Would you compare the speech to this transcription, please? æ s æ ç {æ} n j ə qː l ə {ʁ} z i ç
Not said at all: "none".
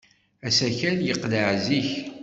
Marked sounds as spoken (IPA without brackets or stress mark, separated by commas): æ, ʕ